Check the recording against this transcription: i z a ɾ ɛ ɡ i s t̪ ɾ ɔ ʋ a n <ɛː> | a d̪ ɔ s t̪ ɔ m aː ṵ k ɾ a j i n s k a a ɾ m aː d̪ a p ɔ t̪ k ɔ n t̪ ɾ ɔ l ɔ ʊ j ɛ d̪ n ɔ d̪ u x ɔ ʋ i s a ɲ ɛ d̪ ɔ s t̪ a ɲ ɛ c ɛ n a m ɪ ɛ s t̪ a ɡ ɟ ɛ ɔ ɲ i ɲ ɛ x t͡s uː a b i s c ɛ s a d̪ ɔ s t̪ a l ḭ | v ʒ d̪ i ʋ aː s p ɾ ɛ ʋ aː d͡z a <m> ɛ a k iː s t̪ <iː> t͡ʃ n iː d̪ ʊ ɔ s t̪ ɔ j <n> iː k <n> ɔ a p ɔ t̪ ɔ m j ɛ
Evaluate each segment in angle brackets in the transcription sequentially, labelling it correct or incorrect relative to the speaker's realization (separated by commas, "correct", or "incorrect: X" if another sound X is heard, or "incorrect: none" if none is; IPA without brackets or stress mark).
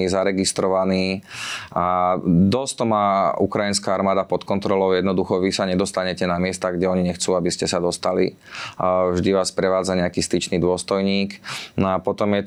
incorrect: iː, incorrect: ɲ, incorrect: i, incorrect: ɲ, correct